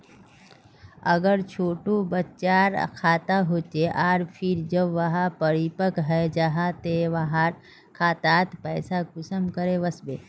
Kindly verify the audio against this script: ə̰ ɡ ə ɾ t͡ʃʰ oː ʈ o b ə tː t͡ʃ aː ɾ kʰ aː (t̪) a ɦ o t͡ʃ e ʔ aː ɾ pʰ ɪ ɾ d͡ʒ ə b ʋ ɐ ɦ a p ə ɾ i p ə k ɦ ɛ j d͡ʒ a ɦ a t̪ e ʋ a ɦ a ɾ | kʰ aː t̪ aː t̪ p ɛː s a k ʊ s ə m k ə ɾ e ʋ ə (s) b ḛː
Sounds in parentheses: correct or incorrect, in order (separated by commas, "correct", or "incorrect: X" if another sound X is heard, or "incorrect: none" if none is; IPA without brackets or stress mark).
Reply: correct, correct